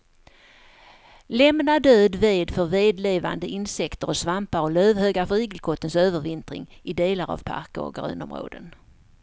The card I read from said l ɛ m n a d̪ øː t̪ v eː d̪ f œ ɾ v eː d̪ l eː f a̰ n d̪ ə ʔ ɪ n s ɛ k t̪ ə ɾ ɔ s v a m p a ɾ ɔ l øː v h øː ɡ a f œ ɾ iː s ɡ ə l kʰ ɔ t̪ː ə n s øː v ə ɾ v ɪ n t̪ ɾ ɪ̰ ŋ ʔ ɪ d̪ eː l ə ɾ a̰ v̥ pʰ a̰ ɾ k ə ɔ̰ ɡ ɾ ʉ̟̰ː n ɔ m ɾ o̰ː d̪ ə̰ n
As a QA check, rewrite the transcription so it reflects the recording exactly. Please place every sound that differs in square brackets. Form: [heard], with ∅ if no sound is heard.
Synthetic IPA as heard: l ɛ m n a d̪ øː [d̪] v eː d̪ f œ ɾ v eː d̪ l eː [v] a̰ n d̪ ə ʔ ɪ n s ɛ k t̪ ə ɾ ɔ s v a m p a ɾ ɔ l øː v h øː ɡ a f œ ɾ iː [∅] ɡ ə l kʰ ɔ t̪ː ə n s øː v ə ɾ v ɪ n t̪ ɾ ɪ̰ ŋ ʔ ɪ d̪ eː l [a] ɾ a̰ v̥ pʰ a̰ ɾ k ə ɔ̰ ɡ ɾ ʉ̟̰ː n ɔ m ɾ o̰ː d̪ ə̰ n